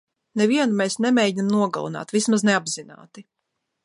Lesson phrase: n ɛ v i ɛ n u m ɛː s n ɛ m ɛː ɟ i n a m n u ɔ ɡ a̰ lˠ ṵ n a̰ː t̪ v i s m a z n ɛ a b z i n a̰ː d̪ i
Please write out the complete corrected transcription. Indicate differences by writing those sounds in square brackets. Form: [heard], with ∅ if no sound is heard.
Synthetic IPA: n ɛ v i ɛ n u m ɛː s n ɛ m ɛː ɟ i n a m n u ɔ ɡ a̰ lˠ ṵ n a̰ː t̪ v i s m a z n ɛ a b z i n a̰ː [t̪] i